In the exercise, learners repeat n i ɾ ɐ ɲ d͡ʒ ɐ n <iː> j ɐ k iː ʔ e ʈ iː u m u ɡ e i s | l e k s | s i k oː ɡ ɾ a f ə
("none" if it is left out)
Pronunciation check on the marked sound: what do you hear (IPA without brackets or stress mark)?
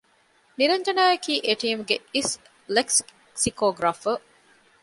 aː